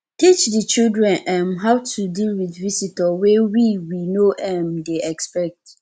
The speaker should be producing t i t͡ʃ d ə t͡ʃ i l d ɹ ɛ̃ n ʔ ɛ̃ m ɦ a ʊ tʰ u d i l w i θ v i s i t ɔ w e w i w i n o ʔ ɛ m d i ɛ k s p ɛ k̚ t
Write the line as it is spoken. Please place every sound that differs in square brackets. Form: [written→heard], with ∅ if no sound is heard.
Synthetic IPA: t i t͡ʃ d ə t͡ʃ i l d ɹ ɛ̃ n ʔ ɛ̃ m ɦ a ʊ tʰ u d i l w i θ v i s i t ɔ w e w i w i n o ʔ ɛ m d [i→e] ɛ k s p ɛ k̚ t